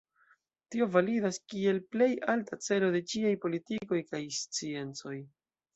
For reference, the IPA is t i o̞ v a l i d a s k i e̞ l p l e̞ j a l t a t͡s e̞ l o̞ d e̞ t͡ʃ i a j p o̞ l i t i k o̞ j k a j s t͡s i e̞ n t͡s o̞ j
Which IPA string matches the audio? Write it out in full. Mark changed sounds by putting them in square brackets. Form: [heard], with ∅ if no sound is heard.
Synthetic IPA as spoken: t i o̞ v a l i d a s k i e̞ l p l e̞ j a l t a t͡s e̞ l o̞ d e̞ t͡ʃ i a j p o̞ l i t i k o̞ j k a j s t͡s i e̞ n t͡s o̞ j